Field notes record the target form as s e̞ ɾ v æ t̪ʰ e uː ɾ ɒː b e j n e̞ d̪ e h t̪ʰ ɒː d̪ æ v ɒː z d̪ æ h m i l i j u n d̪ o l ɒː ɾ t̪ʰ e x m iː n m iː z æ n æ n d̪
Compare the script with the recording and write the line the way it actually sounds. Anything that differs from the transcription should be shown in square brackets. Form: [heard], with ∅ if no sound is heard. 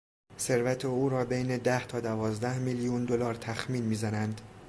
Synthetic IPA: s e̞ ɾ v æ t̪ʰ e uː ɾ ɒː b e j n e̞ d̪ [æ] h t̪ʰ ɒː d̪ æ v ɒː z d̪ æ h m i l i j u n d̪ o l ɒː ɾ t̪ʰ [æ] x m iː n m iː z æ n æ n d̪